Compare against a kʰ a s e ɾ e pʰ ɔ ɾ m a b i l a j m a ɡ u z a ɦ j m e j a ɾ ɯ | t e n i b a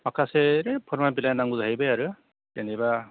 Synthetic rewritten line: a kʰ a s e ɾ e pʰ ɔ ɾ m a b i l a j n a ŋ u z a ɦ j b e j a ɾ ɯ | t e n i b a